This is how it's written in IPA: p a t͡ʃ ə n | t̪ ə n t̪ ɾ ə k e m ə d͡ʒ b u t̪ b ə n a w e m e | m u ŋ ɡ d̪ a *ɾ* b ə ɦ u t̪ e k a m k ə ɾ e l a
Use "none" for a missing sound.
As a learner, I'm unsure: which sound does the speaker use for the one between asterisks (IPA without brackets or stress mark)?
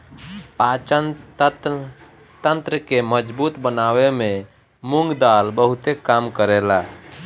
l